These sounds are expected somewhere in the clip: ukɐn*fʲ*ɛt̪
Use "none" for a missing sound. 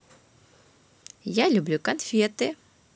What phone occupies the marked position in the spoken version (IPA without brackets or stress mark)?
fʲ